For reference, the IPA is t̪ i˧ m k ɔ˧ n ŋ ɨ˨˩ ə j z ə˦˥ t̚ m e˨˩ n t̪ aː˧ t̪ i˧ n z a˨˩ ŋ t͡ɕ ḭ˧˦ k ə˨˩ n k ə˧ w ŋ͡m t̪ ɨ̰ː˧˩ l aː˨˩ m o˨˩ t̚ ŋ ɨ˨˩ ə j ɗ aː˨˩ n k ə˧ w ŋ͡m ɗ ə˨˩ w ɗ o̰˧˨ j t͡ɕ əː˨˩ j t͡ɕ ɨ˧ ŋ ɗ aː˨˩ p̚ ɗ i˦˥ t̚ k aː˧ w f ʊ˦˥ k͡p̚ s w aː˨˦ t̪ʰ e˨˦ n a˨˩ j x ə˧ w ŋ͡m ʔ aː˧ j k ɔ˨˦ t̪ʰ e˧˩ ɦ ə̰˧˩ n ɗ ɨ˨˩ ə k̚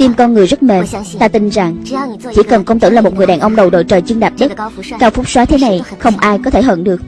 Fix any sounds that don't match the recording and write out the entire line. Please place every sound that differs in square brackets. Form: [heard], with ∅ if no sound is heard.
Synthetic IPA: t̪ i˧ m k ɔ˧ n ŋ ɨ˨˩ ə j z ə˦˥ t̚ m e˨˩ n t̪ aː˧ t̪ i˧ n z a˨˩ ŋ t͡ɕ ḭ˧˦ k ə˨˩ n k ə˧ w ŋ͡m t̪ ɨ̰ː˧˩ l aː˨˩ m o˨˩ t̚ ŋ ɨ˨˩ ə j ɗ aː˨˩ n [ʔ] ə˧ w ŋ͡m ɗ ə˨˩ w ɗ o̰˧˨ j t͡ɕ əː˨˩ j t͡ɕ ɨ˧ ŋ ɗ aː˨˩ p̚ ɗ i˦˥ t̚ k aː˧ w f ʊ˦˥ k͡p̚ s w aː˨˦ t̪ʰ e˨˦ n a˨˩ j x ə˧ w ŋ͡m ʔ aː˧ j k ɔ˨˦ t̪ʰ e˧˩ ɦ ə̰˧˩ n ɗ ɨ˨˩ ə k̚